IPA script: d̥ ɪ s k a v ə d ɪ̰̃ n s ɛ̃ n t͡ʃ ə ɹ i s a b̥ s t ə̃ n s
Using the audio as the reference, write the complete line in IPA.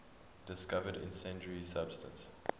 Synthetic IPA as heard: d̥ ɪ s k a v ə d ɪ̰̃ n s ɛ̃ n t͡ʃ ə ɹ i s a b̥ s t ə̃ n s